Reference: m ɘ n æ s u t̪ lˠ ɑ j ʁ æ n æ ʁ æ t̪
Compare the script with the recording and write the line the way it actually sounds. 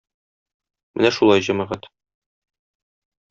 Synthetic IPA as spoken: m ɘ n æ ʃ u lˠ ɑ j ʑ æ m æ ʁ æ t̪